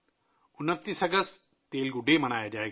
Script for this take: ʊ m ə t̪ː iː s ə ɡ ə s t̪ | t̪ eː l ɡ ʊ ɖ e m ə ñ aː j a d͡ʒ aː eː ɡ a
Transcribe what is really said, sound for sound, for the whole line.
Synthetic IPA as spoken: ʊ n ə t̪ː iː s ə ɡ ə s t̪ | t̪ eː l ɡ ʊ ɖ e m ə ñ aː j a d͡ʒ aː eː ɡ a